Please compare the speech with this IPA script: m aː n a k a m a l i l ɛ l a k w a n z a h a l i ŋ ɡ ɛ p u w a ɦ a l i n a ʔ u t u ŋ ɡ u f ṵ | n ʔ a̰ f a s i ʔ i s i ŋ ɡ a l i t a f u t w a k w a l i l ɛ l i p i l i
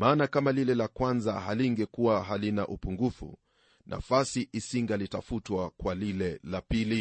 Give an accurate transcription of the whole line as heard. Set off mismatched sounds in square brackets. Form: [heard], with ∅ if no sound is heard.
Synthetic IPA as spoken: m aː n a k a m a l i l ɛ l a k w a n z a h a l i ŋ ɡ ɛ [k] u w a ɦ a l i n a ʔ u [p] u ŋ ɡ u f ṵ | n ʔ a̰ f a s i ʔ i s i ŋ ɡ a l i t a f u t w a k w a l i l ɛ l [a] p i l i